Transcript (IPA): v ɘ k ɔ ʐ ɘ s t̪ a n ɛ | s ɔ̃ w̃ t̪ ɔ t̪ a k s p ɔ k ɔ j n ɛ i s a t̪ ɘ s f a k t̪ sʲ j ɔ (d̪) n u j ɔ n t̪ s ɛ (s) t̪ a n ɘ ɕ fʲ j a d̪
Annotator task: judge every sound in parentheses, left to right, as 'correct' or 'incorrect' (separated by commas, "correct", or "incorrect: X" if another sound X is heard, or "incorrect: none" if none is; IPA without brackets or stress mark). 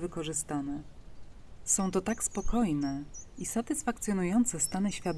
incorrect: none, correct